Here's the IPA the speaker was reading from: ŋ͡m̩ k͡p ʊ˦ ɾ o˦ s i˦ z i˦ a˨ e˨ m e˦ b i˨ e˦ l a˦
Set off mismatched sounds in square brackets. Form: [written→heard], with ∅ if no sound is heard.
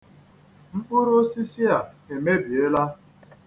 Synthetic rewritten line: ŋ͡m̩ k͡p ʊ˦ ɾ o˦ s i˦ [z→s] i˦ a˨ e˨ m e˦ b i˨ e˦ l a˦